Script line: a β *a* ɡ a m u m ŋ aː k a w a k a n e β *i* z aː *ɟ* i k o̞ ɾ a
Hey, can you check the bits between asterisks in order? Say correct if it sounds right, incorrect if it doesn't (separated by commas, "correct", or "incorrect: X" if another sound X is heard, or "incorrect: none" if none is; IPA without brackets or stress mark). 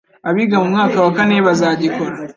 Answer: incorrect: i, incorrect: a, correct